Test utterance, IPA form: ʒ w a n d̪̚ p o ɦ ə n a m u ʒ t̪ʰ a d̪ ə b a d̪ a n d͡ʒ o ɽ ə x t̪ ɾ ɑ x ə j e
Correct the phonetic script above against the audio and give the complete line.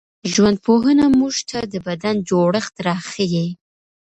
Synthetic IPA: ʒ w a n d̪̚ p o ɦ ə n a m u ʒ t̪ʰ a d̪ ə b a d̪ a n d͡ʒ o ɽ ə x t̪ ɾ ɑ x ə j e